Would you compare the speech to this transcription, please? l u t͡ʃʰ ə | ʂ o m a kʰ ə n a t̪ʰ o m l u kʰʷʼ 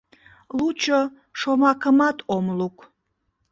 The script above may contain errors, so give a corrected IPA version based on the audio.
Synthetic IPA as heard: l u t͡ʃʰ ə | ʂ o m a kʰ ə m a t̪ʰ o m l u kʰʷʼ